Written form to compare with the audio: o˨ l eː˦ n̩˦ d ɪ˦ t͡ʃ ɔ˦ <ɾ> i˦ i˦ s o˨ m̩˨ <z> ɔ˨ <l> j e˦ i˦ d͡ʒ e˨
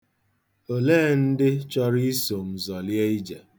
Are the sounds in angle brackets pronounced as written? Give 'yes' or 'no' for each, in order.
yes, yes, yes

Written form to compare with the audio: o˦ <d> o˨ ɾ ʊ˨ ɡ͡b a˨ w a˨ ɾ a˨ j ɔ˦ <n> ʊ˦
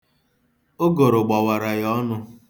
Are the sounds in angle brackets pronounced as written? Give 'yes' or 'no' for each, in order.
no, yes

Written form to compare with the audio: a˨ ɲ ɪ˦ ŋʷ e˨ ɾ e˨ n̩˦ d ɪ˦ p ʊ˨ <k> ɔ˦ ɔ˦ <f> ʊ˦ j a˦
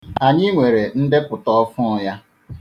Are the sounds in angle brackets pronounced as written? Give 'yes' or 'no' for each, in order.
no, yes

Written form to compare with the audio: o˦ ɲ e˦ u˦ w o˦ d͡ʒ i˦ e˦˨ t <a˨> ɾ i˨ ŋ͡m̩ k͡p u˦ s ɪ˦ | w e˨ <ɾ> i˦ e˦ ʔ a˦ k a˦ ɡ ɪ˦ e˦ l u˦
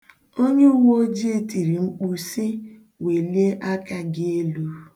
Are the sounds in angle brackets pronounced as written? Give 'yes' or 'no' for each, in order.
no, no

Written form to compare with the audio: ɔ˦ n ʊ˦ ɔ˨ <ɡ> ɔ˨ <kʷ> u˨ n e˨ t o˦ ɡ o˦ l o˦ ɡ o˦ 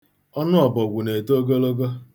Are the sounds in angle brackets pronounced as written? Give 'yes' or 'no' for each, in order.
no, no

